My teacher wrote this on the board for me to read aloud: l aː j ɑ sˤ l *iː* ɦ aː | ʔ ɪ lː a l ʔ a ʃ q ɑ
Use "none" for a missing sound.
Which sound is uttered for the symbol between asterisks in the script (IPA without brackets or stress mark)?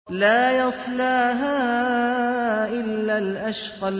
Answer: aː